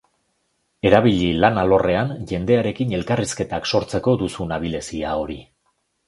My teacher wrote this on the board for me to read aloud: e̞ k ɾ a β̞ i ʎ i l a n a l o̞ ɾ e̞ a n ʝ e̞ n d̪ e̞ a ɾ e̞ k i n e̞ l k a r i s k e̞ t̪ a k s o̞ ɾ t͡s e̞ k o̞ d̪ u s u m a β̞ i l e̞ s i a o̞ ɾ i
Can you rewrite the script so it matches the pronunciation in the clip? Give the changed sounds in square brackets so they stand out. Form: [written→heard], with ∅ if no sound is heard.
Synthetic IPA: e̞ [k→∅] ɾ a β̞ i ʎ i l a n a l o̞ [ɾ→r] e̞ a n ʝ e̞ n d̪ e̞ a ɾ e̞ k i n e̞ l k a r i s k e̞ t̪ a k s o̞ ɾ t͡s e̞ k o̞ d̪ u s u [m→n] a β̞ i l e̞ s i a o̞ ɾ i